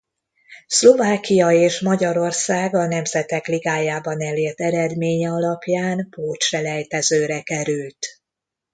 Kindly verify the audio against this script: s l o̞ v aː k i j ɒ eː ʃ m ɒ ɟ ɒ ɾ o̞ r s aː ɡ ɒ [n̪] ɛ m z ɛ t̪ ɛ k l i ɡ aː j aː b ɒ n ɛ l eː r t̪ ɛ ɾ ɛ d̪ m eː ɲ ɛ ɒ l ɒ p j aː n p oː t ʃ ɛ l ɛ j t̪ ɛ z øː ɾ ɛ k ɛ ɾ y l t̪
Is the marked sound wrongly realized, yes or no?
no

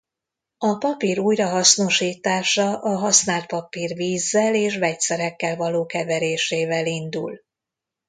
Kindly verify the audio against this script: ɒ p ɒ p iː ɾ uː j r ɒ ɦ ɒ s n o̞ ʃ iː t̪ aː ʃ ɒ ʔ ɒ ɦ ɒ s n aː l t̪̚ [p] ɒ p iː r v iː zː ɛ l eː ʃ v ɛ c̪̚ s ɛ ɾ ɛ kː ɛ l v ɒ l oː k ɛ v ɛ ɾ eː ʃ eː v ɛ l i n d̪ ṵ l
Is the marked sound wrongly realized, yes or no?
no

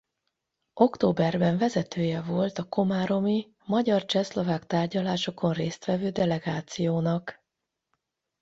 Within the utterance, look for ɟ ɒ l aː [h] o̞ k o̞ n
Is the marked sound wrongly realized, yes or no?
yes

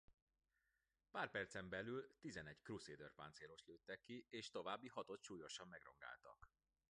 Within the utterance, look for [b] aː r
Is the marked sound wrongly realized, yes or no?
yes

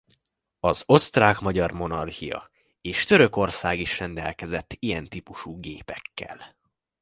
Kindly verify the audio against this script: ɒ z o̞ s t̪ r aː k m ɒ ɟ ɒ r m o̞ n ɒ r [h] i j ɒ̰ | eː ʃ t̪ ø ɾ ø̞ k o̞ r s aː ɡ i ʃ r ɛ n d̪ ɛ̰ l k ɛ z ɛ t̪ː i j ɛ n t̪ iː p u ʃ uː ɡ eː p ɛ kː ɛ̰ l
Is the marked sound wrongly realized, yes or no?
no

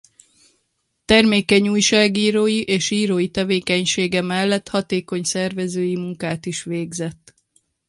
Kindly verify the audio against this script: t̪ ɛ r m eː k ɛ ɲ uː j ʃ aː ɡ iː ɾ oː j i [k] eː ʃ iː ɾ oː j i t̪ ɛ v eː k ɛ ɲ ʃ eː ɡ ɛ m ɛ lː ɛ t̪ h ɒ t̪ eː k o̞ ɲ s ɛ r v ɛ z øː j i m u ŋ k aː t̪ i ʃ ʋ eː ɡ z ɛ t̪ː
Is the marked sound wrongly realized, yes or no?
yes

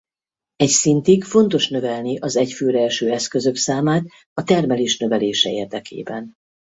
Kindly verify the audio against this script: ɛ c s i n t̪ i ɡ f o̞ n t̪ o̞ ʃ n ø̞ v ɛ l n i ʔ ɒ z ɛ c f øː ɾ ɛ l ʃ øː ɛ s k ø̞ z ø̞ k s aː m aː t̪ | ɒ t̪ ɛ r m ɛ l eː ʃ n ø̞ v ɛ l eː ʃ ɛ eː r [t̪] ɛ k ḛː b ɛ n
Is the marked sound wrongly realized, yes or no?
yes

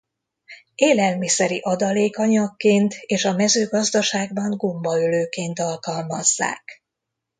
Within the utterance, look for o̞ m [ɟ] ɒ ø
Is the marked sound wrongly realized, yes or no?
yes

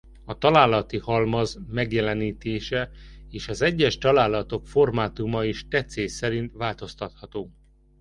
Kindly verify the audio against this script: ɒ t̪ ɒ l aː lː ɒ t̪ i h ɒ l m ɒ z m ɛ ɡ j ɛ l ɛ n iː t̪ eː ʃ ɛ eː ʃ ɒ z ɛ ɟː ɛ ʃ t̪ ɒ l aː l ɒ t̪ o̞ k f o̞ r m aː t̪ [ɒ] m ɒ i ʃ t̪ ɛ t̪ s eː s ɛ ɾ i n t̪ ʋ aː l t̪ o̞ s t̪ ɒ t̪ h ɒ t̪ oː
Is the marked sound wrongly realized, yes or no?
yes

